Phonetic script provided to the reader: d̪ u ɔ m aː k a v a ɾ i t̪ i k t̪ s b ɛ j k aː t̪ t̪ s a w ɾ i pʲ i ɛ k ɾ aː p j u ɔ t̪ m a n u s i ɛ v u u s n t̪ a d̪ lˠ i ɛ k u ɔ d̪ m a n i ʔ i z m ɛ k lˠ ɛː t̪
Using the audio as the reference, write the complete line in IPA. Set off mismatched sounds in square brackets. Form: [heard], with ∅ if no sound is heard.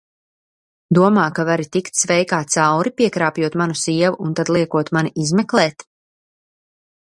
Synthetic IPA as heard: d̪ u ɔ m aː k a v a ɾ i t̪ i k t̪ s [v] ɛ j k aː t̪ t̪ s a w ɾ i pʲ i ɛ k ɾ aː p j u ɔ t̪ m a n u s i ɛ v u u [∅] n t̪ a d̪ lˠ i ɛ k u ɔ [t̪] m a n i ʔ i z m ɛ k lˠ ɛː t̪